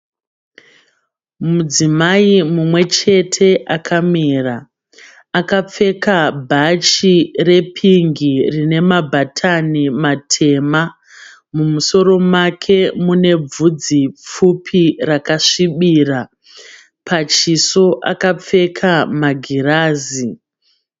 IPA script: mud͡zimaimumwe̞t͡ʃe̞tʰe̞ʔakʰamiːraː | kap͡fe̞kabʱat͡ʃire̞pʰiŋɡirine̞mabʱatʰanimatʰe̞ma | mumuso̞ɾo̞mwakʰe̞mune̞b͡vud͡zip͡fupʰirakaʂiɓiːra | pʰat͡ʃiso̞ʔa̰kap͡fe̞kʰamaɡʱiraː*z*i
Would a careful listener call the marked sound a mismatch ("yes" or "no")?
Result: no